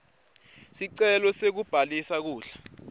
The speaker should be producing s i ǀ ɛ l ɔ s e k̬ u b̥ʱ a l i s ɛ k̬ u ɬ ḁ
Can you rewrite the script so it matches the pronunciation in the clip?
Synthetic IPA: s i ǀ ɛ l ɔ s e k̬ u b̥ʱ a l i s a k̬ uː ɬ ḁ